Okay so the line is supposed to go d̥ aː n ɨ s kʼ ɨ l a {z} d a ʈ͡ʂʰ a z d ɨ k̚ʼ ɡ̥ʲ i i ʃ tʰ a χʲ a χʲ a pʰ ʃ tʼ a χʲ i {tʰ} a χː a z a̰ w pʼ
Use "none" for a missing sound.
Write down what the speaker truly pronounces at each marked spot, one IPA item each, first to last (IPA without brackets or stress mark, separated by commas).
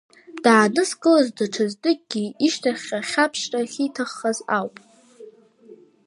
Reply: z, tʰ